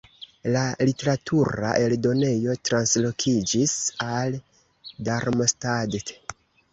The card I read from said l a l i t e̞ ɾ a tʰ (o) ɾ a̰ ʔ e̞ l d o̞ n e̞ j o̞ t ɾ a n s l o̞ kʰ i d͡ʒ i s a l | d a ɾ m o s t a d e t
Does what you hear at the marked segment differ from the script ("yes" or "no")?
yes